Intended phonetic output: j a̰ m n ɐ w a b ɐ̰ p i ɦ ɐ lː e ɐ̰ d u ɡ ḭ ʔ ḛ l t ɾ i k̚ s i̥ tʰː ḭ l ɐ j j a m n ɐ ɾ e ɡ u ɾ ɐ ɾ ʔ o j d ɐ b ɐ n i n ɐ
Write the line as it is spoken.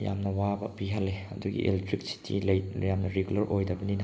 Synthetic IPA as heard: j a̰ m n ɐ w a b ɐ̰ p i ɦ ɐ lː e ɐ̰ d u ɡ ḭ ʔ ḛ l t ɾ i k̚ s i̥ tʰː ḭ l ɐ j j a m n ɐ ɾ e ɡ u l ɐ ɾ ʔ o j d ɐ b ɐ n i n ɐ

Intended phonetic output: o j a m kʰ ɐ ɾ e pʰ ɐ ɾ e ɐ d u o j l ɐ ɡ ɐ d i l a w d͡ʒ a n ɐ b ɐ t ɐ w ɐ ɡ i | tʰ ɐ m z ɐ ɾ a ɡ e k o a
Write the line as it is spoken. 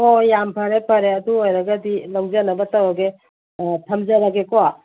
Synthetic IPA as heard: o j a m pʰ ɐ ɾ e pʰ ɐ ɾ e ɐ d u o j ɾ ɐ ɡ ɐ d i l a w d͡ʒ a n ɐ b ɐ t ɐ w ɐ ɡ e | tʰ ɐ m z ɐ ɾ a ɡ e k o a

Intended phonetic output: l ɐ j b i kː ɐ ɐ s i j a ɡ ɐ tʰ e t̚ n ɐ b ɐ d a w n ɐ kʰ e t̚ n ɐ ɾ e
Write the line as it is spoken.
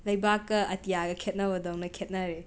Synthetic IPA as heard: l ɐ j b a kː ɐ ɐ t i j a ɡ ɐ kʰ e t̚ n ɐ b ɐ d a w n ɐ kʰ e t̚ n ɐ ɾ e

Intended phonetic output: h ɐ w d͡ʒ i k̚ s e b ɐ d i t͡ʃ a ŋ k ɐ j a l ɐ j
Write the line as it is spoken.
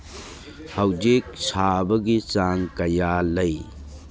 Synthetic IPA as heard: h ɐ w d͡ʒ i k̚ s a b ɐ ɡ i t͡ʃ a ŋ k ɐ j a l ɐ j

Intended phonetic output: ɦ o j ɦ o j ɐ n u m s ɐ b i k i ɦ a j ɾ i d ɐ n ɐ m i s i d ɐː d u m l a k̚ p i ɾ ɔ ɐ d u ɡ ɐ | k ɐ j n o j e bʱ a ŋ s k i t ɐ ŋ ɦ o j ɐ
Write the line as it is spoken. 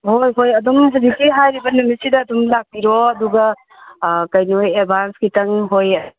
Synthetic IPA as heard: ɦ o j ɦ o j ɐ d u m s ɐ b i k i ɦ a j ɾ i b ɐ n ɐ m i s i d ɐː d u m l a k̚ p i ɾ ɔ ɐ d u ɡ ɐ | k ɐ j n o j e bʱ a n s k i t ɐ ŋ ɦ o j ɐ

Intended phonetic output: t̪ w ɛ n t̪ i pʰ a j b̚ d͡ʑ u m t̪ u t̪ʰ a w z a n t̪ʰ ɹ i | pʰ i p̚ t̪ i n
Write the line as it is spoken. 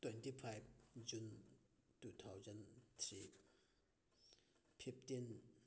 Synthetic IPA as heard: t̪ w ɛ n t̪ i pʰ a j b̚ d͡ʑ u n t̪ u t̪ʰ a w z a n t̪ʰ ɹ i | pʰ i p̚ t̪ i n

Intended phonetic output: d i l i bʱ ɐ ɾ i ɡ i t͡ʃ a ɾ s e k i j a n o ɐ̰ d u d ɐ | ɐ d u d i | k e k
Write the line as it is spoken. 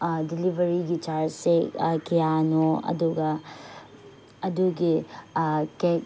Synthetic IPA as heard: d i l i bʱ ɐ ɾ i ɡ i t͡ʃ a ɾ s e k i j a n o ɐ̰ d u ɡ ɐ | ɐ d u ɡ i | k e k

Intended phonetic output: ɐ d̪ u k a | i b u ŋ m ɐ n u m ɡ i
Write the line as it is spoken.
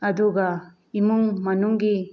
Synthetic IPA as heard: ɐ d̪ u ɡ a | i m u ŋ m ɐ n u ŋ ɡ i

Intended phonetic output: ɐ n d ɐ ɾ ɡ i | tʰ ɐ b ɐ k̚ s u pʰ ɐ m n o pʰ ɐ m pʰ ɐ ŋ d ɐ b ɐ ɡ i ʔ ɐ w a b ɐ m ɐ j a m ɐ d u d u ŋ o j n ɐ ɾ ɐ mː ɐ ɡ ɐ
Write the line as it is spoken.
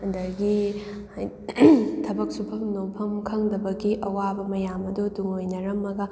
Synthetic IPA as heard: ɐ n d ɐ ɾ ɡ i | tʰ ɐ b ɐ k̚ s u pʰ ɐ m n o pʰ ɐ m kʰ ɐ ŋ d ɐ b ɐ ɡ i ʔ ɐ w a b ɐ m ɐ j a m ɐ d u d u ŋ o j n ɐ ɾ ɐ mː ɐ ɡ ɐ

